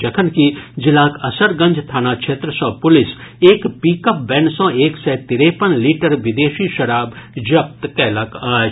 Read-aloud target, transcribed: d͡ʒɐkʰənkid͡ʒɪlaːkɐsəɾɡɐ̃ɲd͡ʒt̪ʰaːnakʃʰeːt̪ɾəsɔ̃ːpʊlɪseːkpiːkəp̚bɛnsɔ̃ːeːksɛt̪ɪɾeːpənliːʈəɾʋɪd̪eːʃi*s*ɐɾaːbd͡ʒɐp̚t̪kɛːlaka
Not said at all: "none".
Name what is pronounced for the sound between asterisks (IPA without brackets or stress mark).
ʃ